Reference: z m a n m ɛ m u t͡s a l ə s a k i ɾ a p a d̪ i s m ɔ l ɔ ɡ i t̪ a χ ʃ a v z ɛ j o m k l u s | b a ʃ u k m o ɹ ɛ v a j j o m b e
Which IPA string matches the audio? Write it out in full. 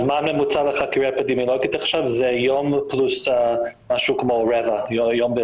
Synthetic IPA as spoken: z m a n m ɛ m u t͡s a l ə χ a k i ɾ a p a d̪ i m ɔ l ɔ ɡ i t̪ a χ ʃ a v z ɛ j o m p l u s | m a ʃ u k m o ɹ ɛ v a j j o m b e